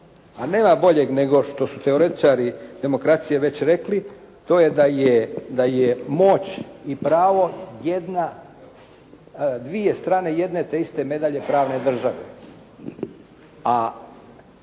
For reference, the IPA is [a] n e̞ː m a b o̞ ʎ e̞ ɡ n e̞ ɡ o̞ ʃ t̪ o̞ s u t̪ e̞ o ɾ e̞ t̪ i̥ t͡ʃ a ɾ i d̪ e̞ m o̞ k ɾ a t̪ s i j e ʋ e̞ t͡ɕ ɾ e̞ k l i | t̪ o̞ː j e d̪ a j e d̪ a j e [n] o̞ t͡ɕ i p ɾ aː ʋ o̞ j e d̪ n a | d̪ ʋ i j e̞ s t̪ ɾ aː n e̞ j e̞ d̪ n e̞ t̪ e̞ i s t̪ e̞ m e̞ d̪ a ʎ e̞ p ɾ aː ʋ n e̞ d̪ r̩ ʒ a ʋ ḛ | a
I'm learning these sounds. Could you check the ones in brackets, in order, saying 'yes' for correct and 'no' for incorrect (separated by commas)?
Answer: yes, no